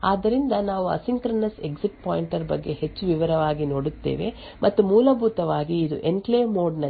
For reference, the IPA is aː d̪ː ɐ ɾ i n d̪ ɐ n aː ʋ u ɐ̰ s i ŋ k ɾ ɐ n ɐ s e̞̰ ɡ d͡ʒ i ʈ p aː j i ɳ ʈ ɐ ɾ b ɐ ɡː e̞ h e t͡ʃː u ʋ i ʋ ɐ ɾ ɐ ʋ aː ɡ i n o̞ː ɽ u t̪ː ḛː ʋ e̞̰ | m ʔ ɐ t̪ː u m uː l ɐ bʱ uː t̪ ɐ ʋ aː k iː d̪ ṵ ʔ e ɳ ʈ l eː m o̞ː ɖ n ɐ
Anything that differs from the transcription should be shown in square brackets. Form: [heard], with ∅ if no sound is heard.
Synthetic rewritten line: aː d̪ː ɐ ɾ i n d̪ ɐ n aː ʋ u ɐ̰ s i ŋ k ɾ ɐ n ɐ s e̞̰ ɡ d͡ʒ i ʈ p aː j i ɳ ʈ ɐ ɾ b ɐ ɡː e̞ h e t͡ʃː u ʋ i ʋ ɐ ɾ ɐ ʋ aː ɡ i n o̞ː ɽ u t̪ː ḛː ʋ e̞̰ | m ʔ ɐ t̪ː u m uː l ɐ bʱ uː t̪ ɐ ʋ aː [ɡ] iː d̪ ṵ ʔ e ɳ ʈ l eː m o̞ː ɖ n ɐ